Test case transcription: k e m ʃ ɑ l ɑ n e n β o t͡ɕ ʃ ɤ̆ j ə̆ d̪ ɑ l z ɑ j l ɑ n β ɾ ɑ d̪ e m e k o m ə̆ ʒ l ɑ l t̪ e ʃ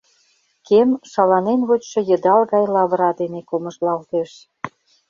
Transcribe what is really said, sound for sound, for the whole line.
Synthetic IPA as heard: k e m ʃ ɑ l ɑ n e n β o t͡ɕ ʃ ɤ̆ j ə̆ d̪ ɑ l ɣ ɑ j l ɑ β ɾ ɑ d̪ e n e k o m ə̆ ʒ l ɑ l t̪ e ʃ